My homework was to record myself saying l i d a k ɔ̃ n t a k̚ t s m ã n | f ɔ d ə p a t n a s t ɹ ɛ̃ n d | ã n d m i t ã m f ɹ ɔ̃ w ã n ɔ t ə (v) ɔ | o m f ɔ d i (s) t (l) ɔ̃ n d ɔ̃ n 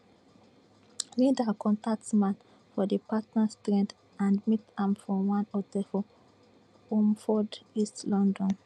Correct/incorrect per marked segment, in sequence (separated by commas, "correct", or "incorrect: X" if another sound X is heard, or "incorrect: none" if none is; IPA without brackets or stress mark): incorrect: f, correct, correct